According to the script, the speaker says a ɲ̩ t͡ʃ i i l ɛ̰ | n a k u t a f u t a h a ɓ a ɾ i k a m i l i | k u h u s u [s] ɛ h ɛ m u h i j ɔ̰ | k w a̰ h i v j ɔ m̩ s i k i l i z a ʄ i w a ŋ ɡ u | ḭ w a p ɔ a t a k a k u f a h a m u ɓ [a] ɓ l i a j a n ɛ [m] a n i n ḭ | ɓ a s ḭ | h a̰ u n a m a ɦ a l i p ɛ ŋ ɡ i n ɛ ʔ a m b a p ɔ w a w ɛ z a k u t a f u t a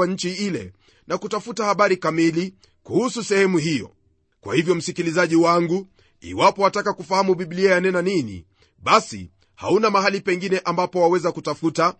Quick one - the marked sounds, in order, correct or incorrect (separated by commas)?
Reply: correct, incorrect, incorrect